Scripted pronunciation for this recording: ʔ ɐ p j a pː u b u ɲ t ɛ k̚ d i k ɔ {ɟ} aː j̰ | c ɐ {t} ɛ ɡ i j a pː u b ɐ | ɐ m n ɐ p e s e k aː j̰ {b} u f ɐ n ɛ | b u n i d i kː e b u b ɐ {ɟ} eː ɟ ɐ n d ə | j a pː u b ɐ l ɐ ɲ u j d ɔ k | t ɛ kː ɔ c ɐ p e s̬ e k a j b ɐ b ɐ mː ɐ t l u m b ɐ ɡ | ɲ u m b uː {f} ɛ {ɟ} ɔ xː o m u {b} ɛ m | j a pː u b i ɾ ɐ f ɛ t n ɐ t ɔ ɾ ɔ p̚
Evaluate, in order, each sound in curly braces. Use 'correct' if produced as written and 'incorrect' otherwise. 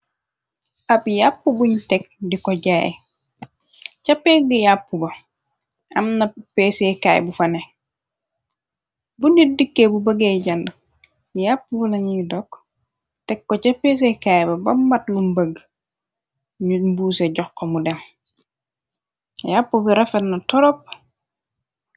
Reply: correct, incorrect: p, correct, incorrect: ɡ, incorrect: s, correct, incorrect: d

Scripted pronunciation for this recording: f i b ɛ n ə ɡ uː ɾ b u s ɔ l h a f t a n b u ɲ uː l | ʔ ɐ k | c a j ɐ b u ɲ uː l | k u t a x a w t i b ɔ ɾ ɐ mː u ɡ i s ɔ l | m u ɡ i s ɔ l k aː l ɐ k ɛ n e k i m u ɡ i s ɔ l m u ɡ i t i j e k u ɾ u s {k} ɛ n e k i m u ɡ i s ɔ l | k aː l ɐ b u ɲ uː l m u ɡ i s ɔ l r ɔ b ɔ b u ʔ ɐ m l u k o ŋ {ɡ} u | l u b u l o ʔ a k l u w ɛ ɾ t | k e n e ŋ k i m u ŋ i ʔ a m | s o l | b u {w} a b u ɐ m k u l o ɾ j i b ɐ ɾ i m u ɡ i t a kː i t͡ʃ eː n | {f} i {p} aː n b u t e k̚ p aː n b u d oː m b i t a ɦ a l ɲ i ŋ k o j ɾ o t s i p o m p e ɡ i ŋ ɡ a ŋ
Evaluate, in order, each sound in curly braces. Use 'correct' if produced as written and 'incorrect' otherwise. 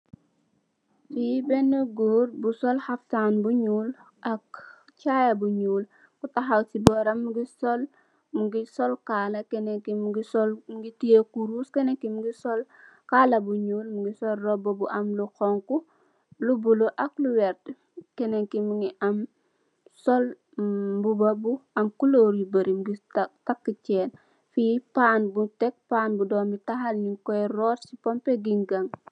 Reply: correct, incorrect: k, incorrect: b, correct, correct

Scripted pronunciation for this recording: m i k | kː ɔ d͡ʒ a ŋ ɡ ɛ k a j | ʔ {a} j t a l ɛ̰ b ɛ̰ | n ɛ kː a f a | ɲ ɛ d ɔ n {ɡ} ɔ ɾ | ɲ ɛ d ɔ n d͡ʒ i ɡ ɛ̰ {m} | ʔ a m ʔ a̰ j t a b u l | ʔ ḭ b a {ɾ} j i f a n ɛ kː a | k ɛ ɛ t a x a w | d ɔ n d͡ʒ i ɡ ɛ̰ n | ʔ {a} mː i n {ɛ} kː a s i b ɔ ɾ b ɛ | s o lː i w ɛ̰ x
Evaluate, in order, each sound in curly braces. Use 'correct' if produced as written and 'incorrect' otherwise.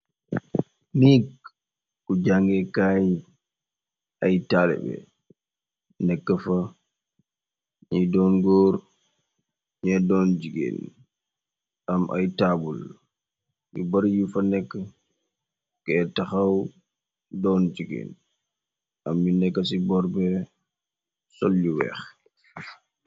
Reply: correct, correct, incorrect: n, correct, correct, correct

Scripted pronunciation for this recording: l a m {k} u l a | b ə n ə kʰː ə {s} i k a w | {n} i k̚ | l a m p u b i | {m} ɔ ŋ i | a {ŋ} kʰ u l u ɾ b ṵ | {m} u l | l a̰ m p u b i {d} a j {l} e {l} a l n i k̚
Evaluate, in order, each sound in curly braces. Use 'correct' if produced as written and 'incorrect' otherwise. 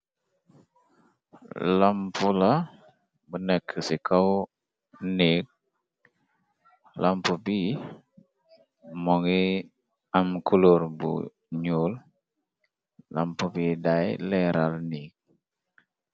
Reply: incorrect: p, correct, correct, correct, incorrect: m, incorrect: ɲ, correct, correct, incorrect: ɾ

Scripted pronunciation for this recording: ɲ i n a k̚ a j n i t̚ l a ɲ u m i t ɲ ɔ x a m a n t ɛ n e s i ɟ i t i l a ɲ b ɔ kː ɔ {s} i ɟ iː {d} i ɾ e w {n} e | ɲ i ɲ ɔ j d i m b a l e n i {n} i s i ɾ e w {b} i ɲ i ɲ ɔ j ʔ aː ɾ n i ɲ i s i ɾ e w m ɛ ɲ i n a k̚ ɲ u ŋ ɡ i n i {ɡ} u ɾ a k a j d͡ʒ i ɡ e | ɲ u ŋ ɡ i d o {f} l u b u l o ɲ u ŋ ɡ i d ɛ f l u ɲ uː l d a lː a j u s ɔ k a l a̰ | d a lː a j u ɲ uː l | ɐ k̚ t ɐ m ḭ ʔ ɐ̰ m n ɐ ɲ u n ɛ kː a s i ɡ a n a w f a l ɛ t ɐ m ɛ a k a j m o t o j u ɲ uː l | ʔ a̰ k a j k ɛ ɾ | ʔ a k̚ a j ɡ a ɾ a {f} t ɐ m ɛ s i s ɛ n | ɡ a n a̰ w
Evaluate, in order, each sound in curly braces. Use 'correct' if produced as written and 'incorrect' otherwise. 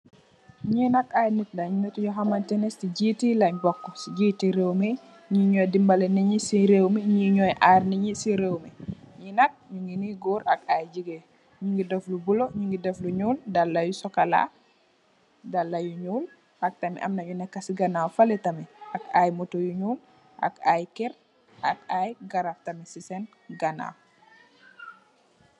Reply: correct, incorrect: t, incorrect: m, incorrect: ɲ, incorrect: m, correct, correct, correct

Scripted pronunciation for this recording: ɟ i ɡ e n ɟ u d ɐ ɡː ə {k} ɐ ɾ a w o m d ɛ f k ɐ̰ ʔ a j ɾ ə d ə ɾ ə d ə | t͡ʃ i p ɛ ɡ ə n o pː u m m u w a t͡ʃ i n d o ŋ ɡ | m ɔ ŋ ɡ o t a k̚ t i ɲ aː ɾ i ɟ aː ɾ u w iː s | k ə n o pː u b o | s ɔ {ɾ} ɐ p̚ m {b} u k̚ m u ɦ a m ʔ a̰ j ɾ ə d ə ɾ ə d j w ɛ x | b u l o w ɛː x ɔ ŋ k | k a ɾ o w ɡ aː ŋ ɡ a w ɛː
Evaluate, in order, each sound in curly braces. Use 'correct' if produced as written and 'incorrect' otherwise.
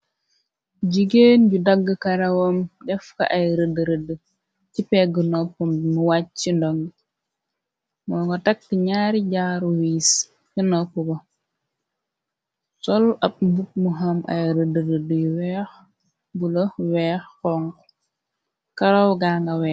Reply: correct, incorrect: l, correct

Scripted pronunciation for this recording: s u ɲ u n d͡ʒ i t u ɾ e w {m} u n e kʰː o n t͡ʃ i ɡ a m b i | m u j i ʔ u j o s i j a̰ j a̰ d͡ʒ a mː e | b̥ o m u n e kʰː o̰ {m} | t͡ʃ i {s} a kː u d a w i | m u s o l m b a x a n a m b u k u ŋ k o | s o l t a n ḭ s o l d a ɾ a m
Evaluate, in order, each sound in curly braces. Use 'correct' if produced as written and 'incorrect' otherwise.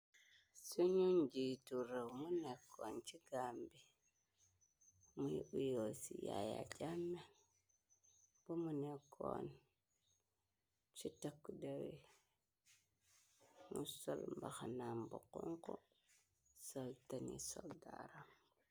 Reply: correct, incorrect: n, incorrect: t

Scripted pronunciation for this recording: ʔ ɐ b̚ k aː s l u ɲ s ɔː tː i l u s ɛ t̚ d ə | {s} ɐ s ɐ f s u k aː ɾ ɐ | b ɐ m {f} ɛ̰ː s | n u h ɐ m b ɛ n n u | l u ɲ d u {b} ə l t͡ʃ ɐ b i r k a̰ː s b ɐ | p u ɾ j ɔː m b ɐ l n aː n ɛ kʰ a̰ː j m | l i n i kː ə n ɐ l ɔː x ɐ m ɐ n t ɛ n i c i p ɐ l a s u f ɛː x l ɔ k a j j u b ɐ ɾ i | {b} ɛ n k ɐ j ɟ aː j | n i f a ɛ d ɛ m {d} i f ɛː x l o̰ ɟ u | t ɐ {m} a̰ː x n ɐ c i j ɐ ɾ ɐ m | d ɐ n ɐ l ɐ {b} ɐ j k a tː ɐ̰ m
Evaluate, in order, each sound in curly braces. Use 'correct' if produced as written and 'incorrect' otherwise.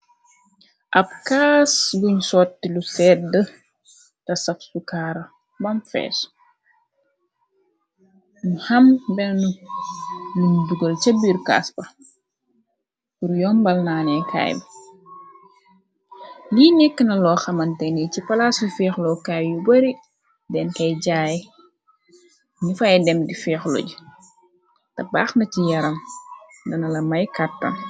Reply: incorrect: t, correct, incorrect: ɡ, incorrect: d, correct, incorrect: b, incorrect: m

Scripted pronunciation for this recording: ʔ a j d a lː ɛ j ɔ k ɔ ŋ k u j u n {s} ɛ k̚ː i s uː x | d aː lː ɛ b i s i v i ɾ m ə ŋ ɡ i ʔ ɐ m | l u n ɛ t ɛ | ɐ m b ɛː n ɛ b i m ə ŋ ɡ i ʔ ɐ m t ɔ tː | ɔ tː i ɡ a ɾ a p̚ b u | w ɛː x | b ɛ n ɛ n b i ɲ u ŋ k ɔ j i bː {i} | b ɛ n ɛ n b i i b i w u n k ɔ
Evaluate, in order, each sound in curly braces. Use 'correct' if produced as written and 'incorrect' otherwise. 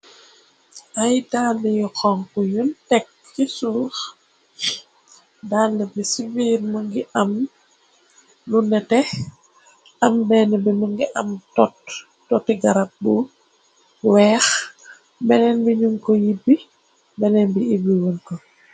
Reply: incorrect: t, correct

